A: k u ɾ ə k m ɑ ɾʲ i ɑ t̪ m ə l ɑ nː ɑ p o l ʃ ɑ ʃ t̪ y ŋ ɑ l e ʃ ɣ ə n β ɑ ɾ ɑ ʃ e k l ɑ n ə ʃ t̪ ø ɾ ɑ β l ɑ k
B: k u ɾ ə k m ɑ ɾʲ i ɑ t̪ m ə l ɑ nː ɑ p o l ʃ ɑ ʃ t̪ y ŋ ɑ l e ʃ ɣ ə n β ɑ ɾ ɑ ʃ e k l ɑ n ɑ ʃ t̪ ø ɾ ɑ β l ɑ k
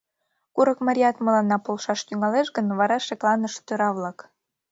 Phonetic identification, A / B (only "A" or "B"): A